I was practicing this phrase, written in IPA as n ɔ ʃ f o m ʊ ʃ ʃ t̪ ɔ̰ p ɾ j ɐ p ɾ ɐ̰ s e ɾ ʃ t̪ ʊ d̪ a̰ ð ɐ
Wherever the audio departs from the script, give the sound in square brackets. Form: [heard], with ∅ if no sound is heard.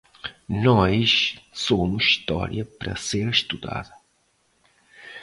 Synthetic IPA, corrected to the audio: n ɔ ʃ [s] o m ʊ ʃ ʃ t̪ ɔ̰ [∅] ɾ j ɐ p ɾ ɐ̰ s e ɾ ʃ t̪ [u] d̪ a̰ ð ɐ